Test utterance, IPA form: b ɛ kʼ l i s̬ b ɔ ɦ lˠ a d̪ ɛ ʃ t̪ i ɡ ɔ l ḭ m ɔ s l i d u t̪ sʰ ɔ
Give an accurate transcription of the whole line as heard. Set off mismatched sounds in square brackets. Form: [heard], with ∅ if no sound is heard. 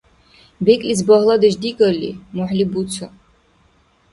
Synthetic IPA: b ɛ kʼ l i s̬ b ɔ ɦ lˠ a d̪ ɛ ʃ [d̪] i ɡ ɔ l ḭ m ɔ [ħ] l i [b] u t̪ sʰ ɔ